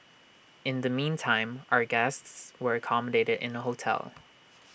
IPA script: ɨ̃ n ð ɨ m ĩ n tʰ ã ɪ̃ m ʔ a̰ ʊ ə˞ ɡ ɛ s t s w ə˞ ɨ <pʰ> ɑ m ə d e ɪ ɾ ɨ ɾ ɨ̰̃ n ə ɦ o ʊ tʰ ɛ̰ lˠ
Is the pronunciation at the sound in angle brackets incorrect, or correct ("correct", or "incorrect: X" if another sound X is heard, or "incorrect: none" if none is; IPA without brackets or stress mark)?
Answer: incorrect: kʰ